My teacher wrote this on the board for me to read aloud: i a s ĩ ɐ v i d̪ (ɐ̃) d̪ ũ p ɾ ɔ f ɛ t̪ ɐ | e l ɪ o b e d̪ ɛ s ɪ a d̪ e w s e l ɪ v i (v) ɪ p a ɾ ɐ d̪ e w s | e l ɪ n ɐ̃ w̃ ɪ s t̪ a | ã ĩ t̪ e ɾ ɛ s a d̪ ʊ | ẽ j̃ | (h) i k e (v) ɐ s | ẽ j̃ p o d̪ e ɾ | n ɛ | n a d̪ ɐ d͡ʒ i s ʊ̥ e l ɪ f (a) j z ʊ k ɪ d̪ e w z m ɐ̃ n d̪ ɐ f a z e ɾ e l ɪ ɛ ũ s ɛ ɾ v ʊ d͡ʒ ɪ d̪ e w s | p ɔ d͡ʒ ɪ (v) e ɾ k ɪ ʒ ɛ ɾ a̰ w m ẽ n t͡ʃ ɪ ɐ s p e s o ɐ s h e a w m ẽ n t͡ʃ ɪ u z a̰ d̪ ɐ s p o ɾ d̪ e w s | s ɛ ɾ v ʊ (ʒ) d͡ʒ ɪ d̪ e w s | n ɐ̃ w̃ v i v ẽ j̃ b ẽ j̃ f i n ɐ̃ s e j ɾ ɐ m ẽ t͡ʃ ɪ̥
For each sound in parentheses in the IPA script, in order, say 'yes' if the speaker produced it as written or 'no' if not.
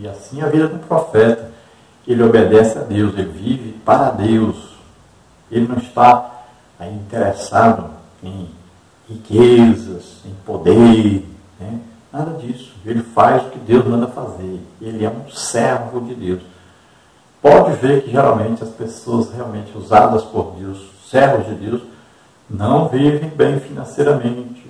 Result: no, yes, yes, no, yes, yes, no

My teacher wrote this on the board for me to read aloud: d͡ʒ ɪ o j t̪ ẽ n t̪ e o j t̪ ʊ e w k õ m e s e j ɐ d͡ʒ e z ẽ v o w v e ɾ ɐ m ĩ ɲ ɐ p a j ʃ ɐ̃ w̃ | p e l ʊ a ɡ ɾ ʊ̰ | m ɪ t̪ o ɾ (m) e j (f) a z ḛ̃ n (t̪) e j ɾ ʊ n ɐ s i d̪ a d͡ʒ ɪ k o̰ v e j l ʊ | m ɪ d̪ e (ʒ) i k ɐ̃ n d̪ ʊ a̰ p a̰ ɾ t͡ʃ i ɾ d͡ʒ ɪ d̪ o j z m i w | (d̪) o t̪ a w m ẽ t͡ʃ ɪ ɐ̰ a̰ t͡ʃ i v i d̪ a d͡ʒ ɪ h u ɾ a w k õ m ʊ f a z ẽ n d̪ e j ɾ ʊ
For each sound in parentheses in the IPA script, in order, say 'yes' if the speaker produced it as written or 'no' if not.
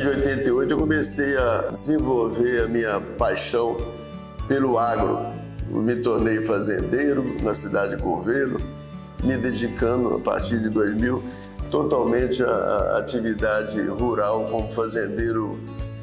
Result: no, yes, no, no, no

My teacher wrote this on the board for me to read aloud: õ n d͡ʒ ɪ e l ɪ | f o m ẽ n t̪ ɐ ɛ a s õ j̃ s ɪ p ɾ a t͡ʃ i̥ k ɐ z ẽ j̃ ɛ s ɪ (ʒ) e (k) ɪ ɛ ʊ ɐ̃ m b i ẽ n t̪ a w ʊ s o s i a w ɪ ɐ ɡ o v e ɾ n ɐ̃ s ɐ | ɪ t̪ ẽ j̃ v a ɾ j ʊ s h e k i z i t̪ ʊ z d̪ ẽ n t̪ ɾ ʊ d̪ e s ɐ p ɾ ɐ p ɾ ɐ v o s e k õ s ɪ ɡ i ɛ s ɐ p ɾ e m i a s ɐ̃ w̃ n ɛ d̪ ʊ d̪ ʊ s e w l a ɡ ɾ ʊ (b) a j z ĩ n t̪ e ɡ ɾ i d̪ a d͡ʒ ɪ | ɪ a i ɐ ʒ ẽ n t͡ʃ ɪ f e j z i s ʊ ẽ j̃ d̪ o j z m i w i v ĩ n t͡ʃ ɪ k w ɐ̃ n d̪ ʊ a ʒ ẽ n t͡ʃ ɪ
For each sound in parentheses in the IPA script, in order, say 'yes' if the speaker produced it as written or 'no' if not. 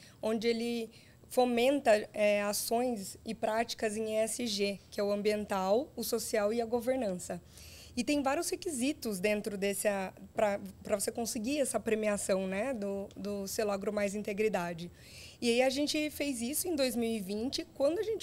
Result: yes, yes, no

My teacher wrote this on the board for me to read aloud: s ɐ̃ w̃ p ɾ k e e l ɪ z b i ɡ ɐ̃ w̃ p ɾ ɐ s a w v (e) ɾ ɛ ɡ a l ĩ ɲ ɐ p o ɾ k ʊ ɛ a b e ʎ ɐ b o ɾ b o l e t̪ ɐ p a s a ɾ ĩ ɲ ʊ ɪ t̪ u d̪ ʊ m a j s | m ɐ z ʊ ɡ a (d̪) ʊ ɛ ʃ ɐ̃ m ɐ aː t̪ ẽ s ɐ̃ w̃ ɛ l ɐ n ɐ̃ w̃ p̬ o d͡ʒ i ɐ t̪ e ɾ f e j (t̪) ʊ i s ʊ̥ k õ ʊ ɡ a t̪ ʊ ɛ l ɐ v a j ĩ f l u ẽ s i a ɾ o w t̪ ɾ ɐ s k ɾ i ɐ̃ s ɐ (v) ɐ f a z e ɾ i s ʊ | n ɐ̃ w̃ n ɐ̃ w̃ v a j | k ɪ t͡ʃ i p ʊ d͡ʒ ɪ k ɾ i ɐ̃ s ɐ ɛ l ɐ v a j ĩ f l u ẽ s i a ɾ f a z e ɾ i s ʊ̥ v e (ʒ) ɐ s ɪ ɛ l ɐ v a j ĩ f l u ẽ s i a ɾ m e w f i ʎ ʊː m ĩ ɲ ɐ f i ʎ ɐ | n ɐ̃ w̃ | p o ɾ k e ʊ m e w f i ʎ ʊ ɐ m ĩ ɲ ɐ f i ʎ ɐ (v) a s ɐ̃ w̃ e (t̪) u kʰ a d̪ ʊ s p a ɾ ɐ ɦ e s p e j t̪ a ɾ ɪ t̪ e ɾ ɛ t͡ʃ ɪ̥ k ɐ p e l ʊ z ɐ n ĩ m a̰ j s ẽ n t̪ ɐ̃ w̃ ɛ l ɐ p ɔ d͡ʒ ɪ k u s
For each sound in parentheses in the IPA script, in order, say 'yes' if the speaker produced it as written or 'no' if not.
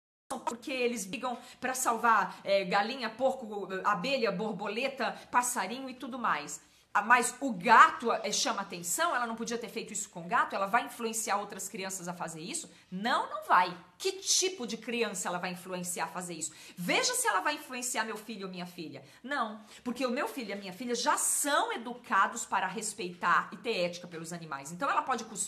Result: no, no, yes, no, yes, no, no

